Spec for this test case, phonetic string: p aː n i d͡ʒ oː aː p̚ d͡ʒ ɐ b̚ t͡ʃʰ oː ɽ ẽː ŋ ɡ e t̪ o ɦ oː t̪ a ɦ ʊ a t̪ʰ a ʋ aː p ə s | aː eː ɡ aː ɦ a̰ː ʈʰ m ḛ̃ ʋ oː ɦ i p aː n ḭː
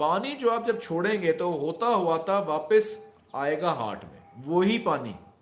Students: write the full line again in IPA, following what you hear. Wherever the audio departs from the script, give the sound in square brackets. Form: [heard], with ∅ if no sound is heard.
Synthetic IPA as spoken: p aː n i d͡ʒ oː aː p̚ d͡ʒ ɐ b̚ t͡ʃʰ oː ɽ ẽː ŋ ɡ e t̪ o ɦ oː t̪ a ɦ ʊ a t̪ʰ a ʋ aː p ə s | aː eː ɡ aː ɦ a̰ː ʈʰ m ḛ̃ ʋ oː ɦ i p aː n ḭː